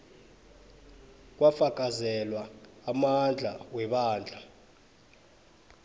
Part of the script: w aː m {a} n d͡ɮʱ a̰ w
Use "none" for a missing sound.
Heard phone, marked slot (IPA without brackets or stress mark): a